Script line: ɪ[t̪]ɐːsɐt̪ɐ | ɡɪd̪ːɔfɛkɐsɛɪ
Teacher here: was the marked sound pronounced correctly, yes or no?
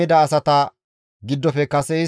no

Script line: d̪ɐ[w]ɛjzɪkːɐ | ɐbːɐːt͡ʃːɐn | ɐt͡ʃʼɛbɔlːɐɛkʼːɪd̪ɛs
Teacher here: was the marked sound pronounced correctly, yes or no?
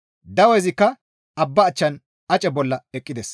yes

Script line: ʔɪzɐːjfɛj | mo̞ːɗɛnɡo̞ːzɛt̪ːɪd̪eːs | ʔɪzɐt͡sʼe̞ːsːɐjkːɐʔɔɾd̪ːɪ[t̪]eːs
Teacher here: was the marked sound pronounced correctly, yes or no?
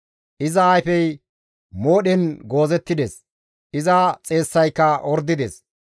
no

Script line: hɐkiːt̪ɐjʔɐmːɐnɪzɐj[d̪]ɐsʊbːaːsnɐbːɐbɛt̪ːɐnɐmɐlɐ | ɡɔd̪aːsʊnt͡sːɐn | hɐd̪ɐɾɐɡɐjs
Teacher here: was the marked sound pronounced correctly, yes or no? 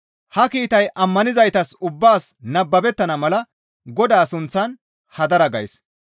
no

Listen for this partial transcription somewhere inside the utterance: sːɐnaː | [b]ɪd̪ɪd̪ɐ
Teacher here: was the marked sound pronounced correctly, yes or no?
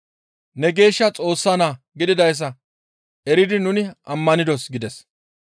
no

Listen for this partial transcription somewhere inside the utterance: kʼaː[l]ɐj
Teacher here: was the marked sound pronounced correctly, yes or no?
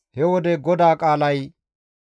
yes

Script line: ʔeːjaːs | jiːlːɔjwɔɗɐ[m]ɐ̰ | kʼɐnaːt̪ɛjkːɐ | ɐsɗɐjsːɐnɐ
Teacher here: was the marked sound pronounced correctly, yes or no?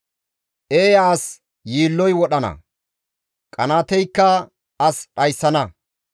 no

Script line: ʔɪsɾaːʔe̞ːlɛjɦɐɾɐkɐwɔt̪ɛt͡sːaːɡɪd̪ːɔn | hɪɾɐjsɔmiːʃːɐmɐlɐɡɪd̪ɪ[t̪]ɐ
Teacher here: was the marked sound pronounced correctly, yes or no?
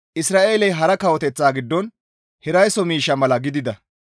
no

